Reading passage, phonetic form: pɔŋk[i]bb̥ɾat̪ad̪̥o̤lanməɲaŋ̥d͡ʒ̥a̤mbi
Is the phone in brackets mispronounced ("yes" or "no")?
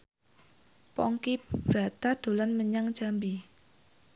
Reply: no